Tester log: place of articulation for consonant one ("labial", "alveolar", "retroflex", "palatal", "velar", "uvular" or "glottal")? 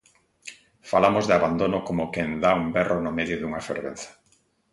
labial